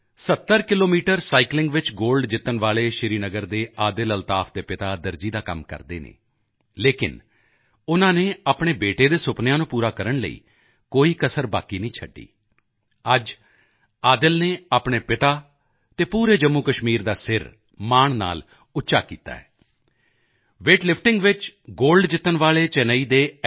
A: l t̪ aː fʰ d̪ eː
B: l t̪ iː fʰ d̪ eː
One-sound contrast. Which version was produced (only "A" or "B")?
A